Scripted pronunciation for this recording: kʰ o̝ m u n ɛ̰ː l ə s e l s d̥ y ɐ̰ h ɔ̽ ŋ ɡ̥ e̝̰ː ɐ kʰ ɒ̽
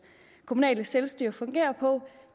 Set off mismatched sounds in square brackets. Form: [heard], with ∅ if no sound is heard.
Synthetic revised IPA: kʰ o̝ m u n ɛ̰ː l ə s e l s d̥ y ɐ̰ [f] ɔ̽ ŋ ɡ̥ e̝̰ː ɐ [pʰ] ɒ̽